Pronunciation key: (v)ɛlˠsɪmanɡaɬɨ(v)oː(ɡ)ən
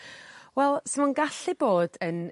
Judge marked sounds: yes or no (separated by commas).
no, no, no